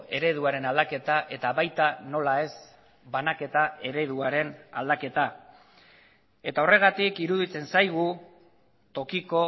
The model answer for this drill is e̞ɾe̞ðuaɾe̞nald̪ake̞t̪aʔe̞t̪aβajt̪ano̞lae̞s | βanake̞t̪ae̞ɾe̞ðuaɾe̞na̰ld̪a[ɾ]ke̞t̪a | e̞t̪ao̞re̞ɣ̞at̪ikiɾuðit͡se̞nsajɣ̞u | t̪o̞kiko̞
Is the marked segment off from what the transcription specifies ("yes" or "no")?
yes